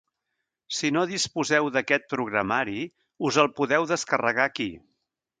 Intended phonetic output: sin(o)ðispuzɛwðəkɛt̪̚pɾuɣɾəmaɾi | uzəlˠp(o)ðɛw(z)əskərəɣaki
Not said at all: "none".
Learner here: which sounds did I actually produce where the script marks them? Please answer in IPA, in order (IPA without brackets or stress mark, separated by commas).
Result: o, u, ð